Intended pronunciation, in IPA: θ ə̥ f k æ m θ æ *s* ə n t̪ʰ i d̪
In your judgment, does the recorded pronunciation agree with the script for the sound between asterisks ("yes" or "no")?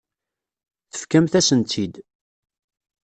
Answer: yes